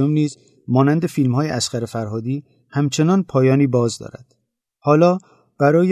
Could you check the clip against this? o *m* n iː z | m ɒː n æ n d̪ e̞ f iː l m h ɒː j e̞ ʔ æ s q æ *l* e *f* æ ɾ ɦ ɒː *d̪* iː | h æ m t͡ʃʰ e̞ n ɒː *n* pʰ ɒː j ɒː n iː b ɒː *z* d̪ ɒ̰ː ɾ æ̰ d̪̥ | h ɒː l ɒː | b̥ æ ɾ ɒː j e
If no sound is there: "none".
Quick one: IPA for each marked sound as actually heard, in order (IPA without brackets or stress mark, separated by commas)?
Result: m, ɾ, f, d̪, n, z